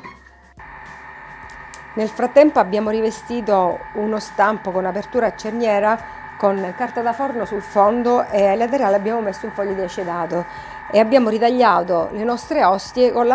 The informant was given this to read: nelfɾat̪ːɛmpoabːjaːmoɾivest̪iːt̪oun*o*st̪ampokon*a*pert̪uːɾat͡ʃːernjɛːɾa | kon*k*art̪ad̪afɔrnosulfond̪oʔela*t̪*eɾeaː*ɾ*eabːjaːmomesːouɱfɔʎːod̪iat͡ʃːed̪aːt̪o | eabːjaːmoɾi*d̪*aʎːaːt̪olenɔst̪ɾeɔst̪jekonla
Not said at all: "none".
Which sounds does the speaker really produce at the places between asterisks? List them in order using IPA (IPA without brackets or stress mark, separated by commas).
o, a, k, t̪, l, t̪